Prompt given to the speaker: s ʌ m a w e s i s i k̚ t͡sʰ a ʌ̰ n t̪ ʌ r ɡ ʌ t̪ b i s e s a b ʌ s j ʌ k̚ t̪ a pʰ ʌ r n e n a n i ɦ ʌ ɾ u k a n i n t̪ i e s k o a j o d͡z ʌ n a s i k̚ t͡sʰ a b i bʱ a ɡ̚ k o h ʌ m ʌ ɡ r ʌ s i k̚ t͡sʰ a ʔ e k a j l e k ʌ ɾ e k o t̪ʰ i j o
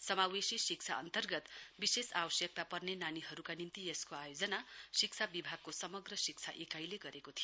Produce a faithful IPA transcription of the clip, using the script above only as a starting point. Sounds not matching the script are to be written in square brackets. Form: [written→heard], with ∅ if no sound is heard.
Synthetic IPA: s ʌ m a w e s i s i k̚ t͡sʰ a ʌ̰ n t̪ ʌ r ɡ ʌ t̪ b i s e s a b ʌ s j ʌ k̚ t̪ a [pʰ→p] ʌ r n e n a n i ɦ ʌ ɾ u k a n i n t̪ i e s k o a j o d͡z ʌ n a s i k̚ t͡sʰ a b i bʱ a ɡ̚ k o [h→s] ʌ m ʌ ɡ r ʌ s i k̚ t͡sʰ a ʔ e k a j l e [k→ɡ] ʌ ɾ e k o t̪ʰ i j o